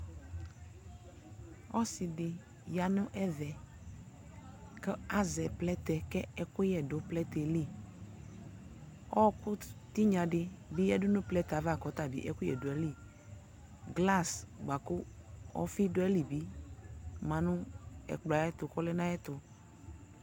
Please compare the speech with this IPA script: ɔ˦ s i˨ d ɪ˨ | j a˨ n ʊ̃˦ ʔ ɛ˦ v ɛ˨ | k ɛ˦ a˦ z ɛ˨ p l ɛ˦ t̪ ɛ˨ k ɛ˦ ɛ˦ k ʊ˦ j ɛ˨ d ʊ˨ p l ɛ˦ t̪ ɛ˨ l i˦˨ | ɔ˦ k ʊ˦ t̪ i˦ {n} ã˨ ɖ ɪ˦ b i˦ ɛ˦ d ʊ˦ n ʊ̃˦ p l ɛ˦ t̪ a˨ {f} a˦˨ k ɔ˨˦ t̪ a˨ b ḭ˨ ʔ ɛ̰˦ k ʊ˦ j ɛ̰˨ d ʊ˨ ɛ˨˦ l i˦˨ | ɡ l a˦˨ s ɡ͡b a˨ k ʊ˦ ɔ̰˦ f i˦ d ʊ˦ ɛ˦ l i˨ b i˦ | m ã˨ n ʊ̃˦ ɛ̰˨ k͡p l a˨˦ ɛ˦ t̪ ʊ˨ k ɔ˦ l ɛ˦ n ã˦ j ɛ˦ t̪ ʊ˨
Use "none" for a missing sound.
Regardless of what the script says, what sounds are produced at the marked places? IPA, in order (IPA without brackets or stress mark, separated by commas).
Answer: ɲ, v